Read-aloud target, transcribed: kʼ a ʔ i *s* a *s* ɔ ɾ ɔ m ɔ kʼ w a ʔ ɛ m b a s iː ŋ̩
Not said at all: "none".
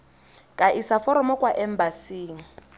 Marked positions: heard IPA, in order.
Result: s, f

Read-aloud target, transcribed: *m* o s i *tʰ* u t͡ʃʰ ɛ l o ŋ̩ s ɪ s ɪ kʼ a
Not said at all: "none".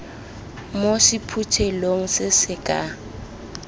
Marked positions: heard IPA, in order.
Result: m, pʰ

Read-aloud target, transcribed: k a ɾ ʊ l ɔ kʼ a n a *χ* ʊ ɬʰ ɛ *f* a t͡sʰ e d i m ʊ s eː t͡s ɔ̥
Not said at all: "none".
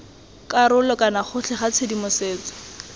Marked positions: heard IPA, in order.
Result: χ, χ

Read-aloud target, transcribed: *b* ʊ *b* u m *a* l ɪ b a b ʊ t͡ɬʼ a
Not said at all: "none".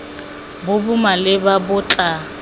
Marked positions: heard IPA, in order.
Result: b, b, a

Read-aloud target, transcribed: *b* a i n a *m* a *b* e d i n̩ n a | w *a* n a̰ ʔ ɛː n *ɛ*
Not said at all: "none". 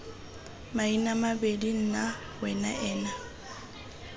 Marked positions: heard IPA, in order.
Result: m, m, b, ɛ, a

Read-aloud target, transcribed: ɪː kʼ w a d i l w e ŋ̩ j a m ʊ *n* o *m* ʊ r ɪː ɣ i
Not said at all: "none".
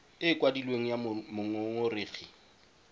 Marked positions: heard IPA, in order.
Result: ŋ, ŋ

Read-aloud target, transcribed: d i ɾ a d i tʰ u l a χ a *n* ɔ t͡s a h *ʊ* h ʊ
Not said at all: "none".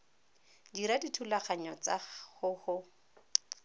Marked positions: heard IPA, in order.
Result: ɲ, ʊ

